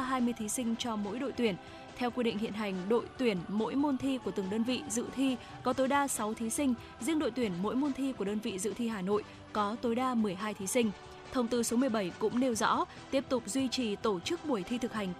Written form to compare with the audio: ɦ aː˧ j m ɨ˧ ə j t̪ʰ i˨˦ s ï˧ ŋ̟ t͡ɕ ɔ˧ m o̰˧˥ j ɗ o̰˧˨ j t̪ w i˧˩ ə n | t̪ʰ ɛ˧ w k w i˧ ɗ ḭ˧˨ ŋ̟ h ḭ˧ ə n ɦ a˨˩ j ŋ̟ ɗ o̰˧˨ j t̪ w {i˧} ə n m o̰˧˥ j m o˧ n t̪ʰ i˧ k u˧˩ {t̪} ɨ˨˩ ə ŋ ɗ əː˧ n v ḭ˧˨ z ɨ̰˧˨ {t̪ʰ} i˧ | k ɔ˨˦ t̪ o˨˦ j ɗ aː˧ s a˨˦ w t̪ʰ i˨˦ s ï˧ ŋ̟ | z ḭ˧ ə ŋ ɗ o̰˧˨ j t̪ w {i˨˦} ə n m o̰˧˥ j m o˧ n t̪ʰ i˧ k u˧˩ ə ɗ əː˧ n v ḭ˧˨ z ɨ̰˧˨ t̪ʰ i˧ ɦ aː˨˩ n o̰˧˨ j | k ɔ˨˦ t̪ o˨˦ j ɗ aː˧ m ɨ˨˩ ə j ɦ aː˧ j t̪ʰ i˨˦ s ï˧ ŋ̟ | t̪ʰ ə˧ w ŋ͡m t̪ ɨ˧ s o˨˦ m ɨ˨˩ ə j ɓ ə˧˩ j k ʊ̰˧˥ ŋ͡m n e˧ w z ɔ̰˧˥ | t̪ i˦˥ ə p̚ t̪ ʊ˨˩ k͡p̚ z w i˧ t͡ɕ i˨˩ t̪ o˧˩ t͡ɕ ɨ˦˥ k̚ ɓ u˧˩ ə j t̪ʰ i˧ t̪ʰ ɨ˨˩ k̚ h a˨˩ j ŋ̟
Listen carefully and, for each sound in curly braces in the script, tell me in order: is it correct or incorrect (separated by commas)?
incorrect, correct, correct, incorrect